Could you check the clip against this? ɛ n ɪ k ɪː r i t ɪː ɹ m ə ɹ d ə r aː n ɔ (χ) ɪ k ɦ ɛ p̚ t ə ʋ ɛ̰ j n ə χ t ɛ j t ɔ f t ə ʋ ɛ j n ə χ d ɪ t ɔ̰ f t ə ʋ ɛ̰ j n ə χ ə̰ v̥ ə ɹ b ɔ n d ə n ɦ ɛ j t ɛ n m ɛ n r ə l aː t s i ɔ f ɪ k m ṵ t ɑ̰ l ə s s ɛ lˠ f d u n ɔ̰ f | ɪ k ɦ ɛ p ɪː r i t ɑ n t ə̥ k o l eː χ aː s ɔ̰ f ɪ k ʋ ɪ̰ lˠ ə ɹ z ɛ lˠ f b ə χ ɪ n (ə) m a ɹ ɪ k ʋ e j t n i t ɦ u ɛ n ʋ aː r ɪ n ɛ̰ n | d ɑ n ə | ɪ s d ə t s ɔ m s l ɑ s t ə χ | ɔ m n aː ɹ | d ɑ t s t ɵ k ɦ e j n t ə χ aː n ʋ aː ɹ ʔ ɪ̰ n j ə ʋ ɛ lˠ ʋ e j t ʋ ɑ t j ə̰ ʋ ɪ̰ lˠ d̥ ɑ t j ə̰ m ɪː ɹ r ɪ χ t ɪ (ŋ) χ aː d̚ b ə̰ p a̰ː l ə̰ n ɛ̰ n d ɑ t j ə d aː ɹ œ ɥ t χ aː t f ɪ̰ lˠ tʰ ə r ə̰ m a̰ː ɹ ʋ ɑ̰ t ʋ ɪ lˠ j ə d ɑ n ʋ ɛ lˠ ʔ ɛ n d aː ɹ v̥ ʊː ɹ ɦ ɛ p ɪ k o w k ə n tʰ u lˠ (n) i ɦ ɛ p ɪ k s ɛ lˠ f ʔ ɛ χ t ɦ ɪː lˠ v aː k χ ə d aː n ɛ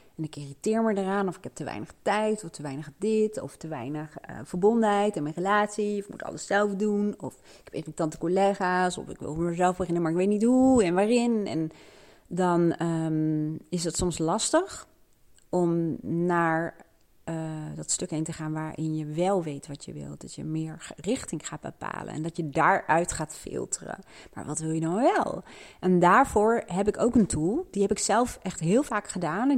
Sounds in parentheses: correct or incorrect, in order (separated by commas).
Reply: incorrect, correct, correct, incorrect